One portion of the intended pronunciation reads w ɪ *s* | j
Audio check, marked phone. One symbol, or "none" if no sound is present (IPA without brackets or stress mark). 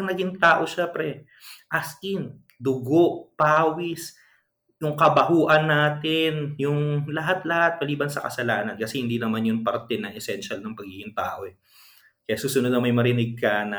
s